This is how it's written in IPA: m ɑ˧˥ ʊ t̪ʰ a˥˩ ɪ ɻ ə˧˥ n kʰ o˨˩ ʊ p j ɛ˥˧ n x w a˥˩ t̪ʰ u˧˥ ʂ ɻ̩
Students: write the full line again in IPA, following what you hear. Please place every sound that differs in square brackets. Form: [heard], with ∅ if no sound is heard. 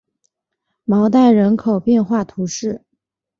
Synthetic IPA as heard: m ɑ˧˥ ʊ [t̪] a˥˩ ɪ ɻ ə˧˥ n kʰ o˨˩ ʊ p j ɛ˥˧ n x w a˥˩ t̪ʰ u˧˥ ʂ ɻ̩